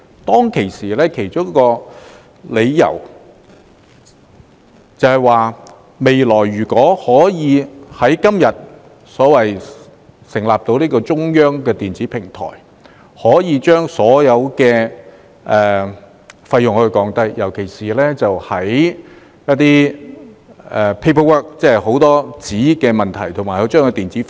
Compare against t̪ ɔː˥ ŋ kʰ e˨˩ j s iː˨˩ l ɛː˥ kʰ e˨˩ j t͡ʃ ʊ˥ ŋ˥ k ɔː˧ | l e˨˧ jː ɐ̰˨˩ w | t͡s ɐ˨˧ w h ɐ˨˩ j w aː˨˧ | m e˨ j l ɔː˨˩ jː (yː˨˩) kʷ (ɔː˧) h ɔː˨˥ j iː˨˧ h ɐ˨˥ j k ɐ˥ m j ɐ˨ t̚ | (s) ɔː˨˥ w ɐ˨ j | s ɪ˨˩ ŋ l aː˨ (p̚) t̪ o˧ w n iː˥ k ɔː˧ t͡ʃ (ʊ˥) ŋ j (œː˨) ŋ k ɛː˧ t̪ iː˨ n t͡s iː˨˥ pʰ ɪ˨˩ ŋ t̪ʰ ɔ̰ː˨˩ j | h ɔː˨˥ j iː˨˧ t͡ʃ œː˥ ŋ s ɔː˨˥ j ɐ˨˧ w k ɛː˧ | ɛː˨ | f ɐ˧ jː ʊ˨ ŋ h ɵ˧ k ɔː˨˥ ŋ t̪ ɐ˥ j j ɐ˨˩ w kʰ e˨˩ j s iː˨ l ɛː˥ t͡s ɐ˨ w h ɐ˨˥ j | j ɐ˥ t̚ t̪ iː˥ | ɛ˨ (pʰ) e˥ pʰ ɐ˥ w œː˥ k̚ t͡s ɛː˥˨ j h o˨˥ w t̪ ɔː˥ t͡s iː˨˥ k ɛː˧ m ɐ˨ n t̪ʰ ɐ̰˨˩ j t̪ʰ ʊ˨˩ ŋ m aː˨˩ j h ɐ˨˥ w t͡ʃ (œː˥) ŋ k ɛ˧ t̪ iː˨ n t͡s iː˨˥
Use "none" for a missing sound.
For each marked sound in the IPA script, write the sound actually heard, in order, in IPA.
yː˨˩, ɔː˨˥, s, p̚, ʊ˥, œː˥, pʰ, œː˥

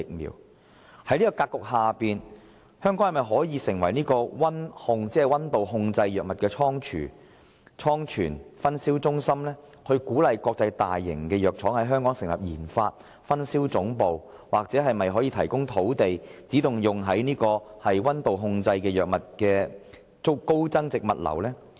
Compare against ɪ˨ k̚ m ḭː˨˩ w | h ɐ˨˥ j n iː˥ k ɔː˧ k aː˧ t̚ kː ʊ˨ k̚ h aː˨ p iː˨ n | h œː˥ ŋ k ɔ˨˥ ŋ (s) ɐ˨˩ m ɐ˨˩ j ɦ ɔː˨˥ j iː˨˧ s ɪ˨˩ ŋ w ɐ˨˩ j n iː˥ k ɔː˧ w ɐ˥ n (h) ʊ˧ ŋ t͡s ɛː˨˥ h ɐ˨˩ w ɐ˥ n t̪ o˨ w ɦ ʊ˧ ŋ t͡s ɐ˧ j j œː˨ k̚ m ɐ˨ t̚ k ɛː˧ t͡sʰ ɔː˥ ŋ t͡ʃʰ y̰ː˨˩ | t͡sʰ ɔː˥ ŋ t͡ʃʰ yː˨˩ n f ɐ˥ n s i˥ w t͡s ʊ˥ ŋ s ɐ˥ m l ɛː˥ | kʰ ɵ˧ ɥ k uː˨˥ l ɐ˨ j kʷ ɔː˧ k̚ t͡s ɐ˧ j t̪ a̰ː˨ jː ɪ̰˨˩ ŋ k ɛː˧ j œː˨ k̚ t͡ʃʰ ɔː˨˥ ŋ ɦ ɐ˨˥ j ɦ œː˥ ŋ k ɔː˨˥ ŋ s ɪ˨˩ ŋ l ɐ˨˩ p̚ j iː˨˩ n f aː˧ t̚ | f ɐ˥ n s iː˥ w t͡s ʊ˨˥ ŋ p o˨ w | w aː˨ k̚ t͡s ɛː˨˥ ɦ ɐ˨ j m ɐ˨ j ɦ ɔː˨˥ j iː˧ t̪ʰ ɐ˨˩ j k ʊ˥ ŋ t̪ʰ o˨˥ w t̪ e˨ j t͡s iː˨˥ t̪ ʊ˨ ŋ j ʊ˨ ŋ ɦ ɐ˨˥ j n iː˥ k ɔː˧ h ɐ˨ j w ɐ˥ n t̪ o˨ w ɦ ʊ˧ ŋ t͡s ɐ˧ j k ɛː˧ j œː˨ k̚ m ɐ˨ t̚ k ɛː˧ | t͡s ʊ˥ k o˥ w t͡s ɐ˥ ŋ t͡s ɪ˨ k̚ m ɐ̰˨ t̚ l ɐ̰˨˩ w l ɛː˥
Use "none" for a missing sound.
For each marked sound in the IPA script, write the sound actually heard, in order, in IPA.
h, h

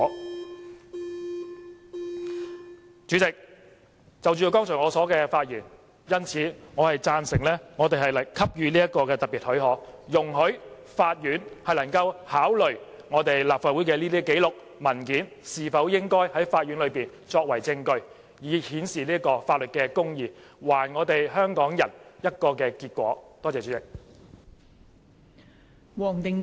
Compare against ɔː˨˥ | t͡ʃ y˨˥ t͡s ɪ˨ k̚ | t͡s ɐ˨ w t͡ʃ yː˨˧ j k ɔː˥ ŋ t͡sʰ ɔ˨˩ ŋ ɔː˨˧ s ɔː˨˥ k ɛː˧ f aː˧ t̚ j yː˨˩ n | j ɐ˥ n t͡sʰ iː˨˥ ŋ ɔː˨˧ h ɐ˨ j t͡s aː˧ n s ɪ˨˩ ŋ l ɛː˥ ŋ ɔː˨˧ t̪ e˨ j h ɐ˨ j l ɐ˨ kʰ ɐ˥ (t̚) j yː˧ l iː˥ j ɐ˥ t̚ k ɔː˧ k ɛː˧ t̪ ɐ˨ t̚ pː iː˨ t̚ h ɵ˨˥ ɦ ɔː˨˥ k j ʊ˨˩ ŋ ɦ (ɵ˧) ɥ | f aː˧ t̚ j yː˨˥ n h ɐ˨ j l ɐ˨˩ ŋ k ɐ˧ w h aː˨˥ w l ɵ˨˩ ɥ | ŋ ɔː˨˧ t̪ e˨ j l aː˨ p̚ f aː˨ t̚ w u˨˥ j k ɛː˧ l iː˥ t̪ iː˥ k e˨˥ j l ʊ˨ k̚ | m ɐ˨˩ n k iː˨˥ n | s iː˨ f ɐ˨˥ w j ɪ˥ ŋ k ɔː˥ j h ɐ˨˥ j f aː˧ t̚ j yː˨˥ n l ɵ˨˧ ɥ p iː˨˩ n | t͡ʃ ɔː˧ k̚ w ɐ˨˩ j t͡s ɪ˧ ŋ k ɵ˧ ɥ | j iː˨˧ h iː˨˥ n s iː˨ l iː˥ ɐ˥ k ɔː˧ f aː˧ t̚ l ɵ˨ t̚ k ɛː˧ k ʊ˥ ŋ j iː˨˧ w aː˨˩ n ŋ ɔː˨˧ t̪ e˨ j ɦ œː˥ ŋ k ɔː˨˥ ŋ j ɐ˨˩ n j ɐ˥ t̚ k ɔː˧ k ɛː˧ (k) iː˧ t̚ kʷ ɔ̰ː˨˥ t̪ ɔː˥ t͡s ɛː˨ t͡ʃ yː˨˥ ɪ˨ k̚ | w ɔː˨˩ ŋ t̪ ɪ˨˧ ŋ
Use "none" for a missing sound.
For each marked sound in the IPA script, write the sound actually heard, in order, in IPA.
p̚, ɵ˨˥, k

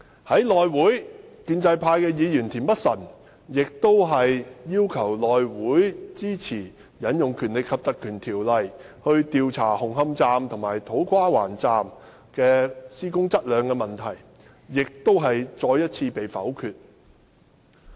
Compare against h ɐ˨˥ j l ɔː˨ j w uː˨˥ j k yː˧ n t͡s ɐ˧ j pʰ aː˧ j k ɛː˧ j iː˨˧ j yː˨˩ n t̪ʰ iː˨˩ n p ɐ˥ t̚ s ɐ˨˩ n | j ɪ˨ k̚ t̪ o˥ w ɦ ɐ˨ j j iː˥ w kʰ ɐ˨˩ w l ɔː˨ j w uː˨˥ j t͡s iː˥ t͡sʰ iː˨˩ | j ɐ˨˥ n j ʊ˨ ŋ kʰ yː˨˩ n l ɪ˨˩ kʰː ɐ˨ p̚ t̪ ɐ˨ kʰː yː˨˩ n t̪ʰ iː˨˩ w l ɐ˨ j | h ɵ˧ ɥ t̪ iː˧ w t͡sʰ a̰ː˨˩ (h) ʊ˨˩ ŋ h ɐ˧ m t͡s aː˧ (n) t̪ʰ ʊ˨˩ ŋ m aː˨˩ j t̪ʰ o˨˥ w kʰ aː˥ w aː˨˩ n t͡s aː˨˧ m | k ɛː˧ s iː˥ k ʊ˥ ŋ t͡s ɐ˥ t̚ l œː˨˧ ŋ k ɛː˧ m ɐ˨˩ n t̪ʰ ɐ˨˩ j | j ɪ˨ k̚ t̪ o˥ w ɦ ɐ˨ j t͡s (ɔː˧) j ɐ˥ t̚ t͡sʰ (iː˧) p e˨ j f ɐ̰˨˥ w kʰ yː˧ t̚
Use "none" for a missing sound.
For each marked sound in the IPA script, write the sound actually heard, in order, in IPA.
h, m, ɔː˧, iː˧

